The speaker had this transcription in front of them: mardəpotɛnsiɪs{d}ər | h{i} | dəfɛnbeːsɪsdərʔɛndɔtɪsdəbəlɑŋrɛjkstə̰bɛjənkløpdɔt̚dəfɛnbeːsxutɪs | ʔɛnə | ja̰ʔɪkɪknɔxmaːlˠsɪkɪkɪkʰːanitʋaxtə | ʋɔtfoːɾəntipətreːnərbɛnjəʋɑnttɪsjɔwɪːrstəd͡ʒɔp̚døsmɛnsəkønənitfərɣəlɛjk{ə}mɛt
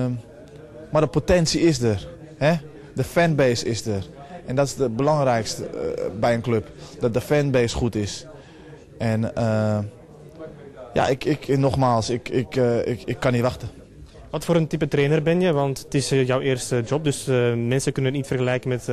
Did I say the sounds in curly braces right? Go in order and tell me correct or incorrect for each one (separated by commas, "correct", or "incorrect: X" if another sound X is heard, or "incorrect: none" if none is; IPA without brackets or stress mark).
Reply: correct, incorrect: ɛ, correct